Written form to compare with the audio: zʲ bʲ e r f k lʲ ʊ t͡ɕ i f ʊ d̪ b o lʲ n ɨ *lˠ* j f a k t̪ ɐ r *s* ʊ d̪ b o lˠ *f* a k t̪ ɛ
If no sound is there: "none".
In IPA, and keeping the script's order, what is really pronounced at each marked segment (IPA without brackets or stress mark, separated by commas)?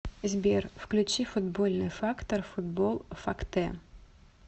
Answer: none, f, f